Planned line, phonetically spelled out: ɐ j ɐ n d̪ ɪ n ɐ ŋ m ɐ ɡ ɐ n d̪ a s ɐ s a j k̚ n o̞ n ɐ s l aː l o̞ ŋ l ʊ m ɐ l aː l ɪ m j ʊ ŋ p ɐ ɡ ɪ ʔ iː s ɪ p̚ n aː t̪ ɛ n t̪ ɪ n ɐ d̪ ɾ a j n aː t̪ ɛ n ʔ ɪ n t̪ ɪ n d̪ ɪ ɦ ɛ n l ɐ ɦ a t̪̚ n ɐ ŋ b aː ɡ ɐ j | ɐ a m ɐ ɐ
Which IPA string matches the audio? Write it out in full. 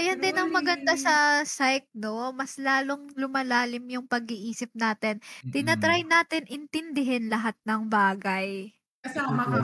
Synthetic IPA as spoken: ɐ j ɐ n d̪ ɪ n ɐ ŋ m ɐ ɡ ɐ n d̪ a s ɐ s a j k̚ n o̞ m ɐ s l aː l o̞ ŋ l ʊ m ɐ l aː l ɪ m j ʊ ŋ p ɐ ɡ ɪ ʔ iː s ɪ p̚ n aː t̪ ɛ n t̪ ɪ n ɐ t̪ ɾ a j n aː t̪ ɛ n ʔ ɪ n t̪ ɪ n d̪ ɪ ɦ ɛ n l ɐ ɦ a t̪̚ n ɐ ŋ b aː ɡ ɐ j | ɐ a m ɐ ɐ